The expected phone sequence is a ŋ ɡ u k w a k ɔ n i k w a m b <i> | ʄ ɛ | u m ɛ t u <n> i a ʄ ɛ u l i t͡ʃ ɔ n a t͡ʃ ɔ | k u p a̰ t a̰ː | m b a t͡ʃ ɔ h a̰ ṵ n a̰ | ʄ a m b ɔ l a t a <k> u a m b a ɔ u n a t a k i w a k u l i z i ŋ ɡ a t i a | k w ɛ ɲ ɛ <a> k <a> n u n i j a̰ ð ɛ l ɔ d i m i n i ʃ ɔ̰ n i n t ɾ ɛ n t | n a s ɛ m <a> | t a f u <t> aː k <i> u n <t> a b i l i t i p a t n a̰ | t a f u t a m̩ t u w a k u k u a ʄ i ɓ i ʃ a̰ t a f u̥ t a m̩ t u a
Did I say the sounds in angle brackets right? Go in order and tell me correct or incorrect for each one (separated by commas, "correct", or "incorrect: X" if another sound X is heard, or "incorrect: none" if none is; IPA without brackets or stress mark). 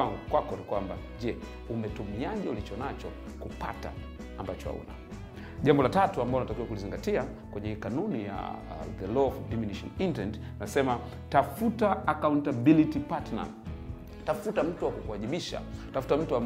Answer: incorrect: a, incorrect: m, incorrect: t, incorrect: i, correct, correct, correct, incorrect: a, correct